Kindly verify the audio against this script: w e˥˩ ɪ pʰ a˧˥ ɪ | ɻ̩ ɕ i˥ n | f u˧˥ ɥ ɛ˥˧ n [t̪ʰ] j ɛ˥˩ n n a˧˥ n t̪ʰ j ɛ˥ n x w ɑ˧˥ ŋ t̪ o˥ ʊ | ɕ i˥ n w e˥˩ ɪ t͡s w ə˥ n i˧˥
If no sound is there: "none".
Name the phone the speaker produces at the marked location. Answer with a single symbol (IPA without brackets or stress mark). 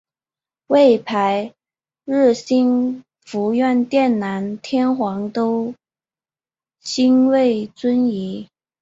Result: t̪